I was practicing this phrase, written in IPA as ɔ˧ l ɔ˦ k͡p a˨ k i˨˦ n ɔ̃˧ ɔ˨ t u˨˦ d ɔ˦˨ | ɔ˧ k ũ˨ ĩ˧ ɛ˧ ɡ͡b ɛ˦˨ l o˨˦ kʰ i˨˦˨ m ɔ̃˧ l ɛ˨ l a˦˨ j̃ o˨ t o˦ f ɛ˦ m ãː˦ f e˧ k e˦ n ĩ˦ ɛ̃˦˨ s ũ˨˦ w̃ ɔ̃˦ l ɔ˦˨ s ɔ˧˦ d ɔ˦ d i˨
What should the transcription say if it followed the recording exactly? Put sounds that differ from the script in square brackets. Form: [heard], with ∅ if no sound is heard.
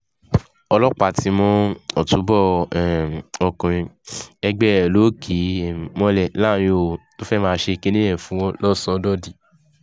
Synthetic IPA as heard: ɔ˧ l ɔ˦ k͡p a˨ [t] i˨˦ [m] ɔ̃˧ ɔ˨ t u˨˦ [b] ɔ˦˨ | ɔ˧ k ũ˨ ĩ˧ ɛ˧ ɡ͡b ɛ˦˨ l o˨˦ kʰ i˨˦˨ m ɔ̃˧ l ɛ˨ l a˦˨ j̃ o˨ t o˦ f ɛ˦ m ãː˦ [ʃ] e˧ k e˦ n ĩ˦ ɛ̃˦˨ [f] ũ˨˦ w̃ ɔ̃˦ l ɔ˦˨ s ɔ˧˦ d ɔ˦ d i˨